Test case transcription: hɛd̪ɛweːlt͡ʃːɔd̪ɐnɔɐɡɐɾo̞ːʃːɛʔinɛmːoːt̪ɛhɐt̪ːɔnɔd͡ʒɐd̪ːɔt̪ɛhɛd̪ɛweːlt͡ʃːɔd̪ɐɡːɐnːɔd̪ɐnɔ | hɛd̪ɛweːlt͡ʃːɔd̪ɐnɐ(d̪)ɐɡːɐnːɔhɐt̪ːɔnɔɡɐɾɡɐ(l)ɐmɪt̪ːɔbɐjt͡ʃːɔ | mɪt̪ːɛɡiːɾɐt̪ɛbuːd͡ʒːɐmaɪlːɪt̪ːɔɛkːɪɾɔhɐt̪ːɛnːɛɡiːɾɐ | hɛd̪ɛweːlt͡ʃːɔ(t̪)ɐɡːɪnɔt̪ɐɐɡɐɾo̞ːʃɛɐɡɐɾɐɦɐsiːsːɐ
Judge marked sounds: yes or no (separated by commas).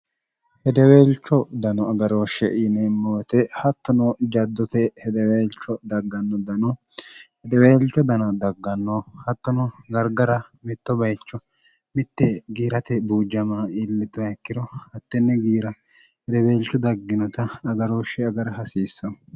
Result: yes, no, no